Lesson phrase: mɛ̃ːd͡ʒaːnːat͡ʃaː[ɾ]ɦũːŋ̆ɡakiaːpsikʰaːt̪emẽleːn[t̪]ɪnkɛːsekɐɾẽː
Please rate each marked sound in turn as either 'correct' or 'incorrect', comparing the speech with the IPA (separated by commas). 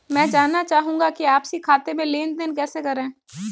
incorrect, incorrect